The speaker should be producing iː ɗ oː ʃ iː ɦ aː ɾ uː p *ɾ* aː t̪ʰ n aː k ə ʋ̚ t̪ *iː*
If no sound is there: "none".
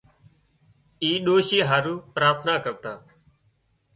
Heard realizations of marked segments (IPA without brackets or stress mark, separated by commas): ɾ, aː